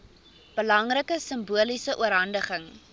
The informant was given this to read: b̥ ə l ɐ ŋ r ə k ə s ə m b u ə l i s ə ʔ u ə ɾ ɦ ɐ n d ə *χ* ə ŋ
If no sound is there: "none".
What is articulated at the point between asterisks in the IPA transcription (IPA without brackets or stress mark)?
χ